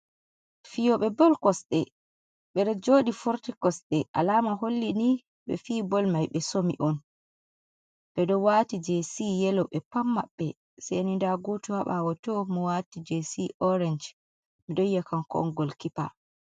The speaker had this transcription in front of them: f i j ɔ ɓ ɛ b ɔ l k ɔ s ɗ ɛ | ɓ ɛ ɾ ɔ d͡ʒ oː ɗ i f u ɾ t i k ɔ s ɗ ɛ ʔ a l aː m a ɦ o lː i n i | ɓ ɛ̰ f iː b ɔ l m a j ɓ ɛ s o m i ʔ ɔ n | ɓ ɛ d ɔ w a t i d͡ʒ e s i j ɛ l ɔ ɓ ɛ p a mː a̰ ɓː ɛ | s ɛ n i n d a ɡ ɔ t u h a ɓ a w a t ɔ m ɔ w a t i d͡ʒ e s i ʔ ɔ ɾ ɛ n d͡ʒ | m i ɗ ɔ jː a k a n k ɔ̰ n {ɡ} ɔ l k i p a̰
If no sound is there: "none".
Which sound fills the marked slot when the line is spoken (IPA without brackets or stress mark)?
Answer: ɡ